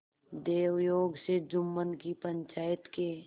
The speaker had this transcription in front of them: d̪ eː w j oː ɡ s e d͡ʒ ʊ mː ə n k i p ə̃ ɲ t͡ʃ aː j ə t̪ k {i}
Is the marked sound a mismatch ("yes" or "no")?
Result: yes